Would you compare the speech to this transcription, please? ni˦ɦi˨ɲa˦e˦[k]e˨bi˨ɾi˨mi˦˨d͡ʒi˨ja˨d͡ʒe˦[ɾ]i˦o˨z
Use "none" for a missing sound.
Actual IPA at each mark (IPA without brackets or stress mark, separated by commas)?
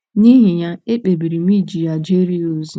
k͡p, ɾ